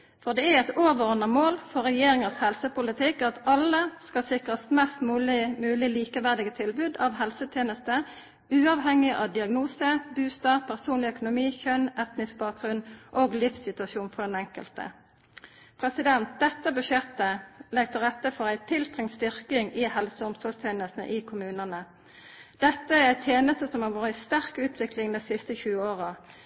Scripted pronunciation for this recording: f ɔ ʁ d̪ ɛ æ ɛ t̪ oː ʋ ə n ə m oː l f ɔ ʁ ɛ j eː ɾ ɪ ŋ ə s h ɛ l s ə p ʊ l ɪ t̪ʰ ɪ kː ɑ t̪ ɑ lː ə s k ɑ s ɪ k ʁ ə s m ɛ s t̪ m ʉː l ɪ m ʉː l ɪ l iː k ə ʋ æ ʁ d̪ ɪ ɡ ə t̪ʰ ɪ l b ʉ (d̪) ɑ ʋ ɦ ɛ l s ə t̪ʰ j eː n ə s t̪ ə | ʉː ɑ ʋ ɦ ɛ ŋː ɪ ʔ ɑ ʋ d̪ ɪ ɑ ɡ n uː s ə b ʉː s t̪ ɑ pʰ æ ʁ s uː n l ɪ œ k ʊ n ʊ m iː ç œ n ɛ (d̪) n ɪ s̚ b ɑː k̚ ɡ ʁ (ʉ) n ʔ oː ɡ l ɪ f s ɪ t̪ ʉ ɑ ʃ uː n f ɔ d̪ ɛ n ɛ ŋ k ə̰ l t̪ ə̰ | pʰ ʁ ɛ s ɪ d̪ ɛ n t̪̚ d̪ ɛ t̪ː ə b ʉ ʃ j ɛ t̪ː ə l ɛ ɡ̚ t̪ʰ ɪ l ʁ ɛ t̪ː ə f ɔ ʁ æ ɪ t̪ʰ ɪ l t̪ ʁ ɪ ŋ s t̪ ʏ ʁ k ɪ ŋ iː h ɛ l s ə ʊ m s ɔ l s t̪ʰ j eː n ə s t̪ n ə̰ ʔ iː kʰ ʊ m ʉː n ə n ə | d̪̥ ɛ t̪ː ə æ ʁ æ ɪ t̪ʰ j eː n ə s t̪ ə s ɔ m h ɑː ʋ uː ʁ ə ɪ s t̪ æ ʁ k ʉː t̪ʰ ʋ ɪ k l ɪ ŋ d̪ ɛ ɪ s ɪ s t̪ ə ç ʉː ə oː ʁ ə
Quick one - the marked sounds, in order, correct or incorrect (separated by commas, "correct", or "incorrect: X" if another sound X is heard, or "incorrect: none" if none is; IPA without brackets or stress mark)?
correct, incorrect: t̪, correct